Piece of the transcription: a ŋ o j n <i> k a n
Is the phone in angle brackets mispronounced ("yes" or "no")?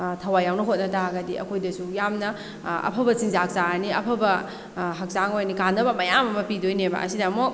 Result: no